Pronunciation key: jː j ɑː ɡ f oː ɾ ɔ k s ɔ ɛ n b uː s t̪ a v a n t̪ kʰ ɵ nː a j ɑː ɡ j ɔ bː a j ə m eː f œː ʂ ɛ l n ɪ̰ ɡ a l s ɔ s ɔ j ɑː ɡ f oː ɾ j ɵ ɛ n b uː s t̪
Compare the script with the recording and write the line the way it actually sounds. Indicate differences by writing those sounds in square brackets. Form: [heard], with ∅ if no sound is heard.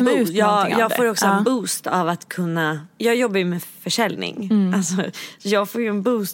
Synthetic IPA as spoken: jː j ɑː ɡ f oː ɾ ɔ k s ɔ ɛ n b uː s t̪ a v a [∅] t̪ kʰ ɵ nː a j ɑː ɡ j ɔ bː a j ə m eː f [œ] ʂ ɛ l n ɪ̰ [ŋ] a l s ɔ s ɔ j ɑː ɡ f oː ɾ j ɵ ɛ n b uː s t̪